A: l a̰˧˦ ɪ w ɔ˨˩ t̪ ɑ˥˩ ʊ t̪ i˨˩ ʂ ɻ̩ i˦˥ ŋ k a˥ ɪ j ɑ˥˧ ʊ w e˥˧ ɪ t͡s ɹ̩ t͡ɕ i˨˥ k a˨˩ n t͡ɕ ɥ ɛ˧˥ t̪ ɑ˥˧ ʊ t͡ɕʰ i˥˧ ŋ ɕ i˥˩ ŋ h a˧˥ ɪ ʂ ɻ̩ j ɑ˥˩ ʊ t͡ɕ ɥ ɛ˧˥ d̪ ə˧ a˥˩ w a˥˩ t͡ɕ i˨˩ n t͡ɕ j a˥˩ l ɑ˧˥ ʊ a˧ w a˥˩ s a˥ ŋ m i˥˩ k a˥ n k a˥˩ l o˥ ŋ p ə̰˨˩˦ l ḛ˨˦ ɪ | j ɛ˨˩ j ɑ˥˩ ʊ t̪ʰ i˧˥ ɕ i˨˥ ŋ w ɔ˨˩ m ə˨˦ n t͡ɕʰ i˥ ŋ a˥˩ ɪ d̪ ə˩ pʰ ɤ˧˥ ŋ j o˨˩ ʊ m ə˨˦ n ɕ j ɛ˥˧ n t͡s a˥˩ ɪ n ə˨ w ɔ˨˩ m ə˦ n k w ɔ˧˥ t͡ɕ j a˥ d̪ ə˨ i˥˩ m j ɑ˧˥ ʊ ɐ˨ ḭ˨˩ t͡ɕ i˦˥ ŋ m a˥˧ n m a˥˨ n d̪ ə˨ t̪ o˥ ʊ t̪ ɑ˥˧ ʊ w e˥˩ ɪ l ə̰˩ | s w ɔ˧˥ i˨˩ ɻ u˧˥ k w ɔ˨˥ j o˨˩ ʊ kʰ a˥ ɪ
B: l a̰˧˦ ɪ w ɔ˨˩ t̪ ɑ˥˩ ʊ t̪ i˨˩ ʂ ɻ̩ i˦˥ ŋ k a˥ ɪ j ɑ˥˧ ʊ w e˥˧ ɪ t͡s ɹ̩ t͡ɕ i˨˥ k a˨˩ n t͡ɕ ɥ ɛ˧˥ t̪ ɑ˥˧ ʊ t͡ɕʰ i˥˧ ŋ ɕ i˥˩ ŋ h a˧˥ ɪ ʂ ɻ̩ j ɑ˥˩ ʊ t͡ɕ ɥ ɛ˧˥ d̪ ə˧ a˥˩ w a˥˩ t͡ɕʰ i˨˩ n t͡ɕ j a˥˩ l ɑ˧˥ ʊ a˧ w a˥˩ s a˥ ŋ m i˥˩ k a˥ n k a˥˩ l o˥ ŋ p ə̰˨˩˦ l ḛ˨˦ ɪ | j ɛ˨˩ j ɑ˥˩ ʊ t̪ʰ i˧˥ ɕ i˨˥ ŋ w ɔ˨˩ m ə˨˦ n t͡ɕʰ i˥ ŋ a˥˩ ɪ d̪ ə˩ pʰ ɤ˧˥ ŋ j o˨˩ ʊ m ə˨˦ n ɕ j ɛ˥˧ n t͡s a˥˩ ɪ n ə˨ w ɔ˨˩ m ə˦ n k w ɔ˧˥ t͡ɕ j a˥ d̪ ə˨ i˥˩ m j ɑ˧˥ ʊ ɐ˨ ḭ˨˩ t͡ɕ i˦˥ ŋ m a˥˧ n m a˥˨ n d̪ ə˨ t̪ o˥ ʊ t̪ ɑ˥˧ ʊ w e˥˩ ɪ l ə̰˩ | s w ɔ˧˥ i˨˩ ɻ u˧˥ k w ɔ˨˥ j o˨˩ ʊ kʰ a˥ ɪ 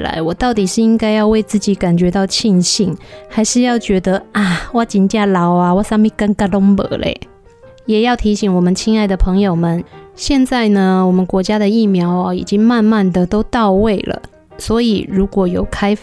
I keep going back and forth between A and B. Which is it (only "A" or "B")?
A